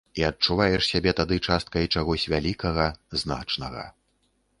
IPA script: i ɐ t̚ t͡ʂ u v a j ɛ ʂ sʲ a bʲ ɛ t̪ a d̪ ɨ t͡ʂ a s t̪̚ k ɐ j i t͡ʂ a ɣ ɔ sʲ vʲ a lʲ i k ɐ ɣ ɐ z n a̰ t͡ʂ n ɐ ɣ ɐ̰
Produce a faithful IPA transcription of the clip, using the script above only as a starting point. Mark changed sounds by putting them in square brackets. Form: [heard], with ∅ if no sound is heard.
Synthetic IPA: i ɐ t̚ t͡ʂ u v a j ɛ ʂ sʲ a bʲ ɛ t̪ a d̪ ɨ t͡ʂ a s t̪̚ k ɐ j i t͡ʂ a ɣ ɔ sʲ vʲ a lʲ i k ɐ ɣ ɐ z n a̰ t͡ʂ n ɐ ɣ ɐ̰